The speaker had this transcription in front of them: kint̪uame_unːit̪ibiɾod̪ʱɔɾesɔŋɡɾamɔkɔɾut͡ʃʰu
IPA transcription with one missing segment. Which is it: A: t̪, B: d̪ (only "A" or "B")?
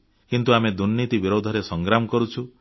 B